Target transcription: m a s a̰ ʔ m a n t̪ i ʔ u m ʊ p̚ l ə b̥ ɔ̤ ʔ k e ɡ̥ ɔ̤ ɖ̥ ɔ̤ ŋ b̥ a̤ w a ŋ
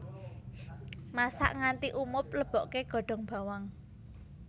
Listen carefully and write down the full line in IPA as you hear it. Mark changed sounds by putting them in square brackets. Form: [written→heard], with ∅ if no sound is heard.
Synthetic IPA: m a s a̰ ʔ [m→ŋ] a n t̪ i ʔ u m ʊ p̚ l ə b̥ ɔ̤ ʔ k e ɡ̥ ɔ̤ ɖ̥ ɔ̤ ŋ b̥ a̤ w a ŋ